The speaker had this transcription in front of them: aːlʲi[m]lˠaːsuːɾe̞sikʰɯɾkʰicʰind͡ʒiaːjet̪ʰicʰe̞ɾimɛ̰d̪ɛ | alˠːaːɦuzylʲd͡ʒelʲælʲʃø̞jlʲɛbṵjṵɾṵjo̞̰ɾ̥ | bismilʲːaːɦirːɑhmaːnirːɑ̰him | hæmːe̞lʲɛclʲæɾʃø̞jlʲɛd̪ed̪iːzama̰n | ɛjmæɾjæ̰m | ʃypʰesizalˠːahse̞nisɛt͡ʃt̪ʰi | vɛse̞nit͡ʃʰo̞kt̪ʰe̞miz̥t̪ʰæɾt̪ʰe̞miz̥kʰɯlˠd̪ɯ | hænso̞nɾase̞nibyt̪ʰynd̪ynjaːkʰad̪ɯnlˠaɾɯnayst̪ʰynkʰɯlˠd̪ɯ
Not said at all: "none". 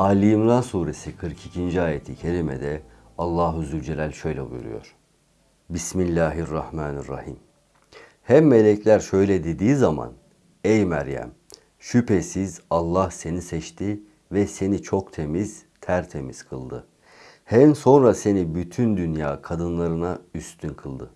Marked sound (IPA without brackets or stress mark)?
m